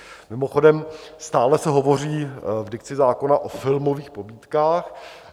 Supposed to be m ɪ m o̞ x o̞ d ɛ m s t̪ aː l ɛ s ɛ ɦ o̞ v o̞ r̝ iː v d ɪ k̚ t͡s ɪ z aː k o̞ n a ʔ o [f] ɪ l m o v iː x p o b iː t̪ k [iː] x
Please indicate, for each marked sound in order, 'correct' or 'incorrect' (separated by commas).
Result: correct, incorrect